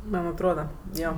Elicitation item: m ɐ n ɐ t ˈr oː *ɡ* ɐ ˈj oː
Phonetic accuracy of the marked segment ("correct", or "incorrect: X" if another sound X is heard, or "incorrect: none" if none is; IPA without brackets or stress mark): incorrect: d